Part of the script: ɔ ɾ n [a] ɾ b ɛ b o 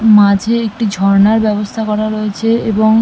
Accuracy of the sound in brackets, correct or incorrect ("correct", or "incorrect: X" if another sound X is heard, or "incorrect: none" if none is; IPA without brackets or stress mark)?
correct